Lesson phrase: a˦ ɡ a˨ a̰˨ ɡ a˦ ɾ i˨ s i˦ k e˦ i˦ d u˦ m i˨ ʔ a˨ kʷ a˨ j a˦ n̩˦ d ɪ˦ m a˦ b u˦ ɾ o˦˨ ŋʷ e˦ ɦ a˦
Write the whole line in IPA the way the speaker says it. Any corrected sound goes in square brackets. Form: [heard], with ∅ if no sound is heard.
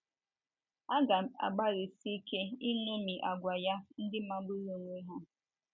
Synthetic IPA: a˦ ɡ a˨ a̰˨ [ɡ͡b] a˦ ɾ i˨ s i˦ k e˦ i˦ [n] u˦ m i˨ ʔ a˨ [ɡʷ] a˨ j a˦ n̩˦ d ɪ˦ m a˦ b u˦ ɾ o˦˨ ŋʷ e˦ ɦ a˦

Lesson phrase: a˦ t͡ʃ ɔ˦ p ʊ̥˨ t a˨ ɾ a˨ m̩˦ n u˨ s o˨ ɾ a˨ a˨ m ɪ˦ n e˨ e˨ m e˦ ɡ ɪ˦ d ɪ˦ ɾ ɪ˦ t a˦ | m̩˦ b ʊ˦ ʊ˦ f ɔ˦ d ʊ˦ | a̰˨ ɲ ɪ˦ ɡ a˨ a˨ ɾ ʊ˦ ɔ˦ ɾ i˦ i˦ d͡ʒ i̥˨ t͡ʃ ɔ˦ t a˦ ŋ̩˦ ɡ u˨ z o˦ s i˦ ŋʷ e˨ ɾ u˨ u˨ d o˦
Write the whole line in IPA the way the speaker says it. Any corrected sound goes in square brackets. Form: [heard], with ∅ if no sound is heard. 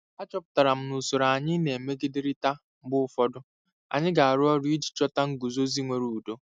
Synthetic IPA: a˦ t͡ʃ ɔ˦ p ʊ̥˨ t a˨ ɾ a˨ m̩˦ n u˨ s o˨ ɾ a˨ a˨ [ɲ] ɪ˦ n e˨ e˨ m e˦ ɡ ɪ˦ d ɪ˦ ɾ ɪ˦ t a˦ | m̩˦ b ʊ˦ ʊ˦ f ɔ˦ d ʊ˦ | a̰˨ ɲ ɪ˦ ɡ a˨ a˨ ɾ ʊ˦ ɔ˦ ɾ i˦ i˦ d͡ʒ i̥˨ t͡ʃ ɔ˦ t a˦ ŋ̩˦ ɡ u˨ z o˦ [z] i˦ ŋʷ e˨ ɾ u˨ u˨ d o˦

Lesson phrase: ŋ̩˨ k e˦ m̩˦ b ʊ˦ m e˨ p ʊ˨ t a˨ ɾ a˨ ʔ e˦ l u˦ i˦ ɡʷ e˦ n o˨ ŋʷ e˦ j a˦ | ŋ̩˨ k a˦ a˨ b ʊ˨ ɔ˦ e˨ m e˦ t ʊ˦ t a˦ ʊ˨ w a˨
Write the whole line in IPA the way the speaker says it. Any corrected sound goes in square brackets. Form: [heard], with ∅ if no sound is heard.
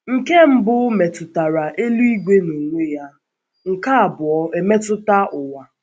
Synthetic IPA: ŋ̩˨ k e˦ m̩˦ b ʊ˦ m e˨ [t] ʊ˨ t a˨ ɾ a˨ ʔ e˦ l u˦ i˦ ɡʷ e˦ n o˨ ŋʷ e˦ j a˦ | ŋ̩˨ k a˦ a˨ b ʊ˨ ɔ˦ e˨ m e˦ t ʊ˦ t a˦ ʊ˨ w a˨

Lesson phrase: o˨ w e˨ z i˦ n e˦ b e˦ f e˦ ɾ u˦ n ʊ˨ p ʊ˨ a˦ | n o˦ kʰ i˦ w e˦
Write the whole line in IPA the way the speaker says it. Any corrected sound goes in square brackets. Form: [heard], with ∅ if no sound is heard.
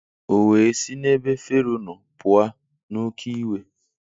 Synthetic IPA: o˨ w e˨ [s] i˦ n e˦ b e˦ f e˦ ɾ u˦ n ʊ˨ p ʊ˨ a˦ | n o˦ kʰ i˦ w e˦

